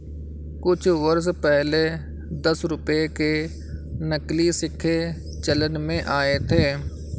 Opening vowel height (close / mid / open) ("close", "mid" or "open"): close